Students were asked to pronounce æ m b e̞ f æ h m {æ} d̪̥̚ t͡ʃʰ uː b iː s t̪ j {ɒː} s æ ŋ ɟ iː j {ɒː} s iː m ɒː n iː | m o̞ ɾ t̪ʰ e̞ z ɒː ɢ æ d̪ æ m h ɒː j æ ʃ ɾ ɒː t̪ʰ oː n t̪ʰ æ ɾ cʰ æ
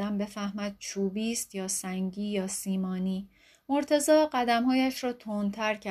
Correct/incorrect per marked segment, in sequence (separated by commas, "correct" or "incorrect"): correct, correct, correct